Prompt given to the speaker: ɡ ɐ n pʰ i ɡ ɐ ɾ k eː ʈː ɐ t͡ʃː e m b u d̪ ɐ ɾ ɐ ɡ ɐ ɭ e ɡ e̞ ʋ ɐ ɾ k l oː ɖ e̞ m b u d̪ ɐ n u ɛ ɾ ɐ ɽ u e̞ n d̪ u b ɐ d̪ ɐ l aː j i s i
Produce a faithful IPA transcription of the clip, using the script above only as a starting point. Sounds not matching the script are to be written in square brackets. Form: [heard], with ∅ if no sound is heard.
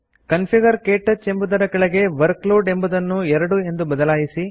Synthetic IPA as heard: [k] ɐ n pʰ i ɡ ɐ ɾ k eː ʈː ɐ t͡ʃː e m b u d̪ ɐ ɾ ɐ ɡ ɐ ɭ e ɡ e̞ ʋ ɐ ɾ k l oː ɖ e̞ m b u d̪ ɐ [nː] u ɛ ɾ ɐ ɽ u e̞ n d̪ u b ɐ d̪ ɐ l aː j i s i